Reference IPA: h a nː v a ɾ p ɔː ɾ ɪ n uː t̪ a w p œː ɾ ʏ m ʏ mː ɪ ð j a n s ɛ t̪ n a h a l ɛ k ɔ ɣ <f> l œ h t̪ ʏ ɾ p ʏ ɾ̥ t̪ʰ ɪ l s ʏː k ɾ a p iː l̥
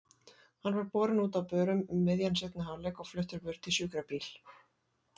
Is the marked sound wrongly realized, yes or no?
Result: no